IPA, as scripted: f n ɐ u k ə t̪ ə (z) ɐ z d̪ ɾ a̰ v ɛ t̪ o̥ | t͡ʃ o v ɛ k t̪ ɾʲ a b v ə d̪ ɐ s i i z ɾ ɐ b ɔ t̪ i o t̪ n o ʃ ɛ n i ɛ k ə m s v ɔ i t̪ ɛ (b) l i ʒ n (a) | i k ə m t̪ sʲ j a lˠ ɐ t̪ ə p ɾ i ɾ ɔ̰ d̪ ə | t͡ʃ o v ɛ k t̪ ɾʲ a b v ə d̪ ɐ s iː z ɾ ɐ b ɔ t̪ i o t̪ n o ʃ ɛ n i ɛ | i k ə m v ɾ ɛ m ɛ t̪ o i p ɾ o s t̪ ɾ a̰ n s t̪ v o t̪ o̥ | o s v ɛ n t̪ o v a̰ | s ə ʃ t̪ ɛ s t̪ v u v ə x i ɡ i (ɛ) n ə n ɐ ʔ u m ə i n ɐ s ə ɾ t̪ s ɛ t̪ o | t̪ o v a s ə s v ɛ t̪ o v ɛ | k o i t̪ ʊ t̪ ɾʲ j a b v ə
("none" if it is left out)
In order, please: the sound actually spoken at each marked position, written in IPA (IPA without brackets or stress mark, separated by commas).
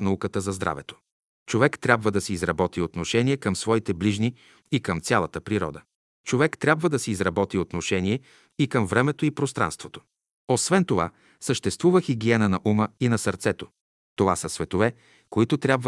z, b, i, ɛ